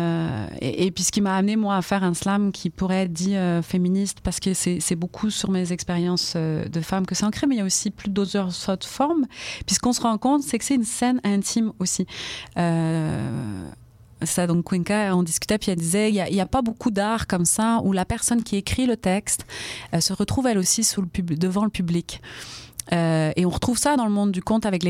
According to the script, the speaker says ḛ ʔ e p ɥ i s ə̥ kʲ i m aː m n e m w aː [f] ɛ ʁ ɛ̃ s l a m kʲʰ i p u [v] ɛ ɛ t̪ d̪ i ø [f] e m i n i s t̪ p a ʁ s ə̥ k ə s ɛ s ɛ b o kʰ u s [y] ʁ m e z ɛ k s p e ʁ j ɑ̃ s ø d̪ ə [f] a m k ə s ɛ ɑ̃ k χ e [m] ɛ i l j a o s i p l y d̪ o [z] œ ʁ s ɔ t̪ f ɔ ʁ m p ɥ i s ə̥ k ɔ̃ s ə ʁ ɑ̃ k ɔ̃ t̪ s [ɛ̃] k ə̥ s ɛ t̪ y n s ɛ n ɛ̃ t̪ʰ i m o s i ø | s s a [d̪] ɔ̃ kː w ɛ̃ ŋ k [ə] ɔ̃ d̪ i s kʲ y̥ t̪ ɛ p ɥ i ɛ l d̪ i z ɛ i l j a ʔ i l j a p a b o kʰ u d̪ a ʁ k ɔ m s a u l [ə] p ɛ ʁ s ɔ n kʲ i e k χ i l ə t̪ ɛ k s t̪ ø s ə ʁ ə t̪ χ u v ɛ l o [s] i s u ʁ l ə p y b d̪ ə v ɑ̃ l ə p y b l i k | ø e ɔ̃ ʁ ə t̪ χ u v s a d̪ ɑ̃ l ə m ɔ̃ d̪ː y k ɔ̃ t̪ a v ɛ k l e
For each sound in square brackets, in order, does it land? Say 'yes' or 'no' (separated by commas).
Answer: yes, no, yes, yes, yes, yes, yes, no, yes, no, no, yes